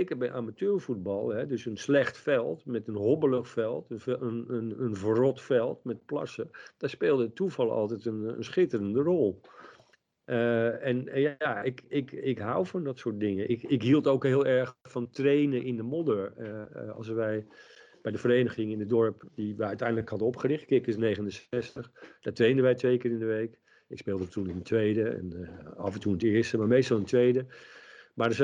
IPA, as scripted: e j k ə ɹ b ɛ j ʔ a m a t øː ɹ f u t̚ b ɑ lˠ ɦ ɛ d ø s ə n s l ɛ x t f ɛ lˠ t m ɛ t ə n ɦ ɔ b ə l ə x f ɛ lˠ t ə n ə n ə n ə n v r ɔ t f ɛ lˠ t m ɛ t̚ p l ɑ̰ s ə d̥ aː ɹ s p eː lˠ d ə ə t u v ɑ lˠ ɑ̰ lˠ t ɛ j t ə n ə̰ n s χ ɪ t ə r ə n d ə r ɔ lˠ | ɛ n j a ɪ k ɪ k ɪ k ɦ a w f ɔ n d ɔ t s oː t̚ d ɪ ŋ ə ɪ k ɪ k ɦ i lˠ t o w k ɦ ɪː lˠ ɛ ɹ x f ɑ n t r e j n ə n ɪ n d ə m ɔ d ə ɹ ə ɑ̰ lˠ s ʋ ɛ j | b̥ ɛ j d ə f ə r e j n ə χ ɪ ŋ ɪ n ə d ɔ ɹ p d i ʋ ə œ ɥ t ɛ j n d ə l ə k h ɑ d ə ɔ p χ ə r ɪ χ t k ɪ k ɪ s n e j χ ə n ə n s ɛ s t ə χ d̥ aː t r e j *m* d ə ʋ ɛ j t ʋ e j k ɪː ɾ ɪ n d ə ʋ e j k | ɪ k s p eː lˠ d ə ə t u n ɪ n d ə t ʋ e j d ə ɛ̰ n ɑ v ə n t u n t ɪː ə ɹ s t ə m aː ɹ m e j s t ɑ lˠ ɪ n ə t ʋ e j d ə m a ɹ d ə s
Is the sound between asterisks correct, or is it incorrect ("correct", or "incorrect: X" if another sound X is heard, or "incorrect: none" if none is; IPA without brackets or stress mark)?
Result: incorrect: n